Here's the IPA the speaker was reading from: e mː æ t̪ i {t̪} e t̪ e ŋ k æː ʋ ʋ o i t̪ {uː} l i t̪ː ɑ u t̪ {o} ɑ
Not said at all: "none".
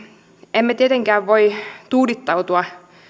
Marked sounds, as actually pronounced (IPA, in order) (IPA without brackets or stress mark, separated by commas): none, uː, u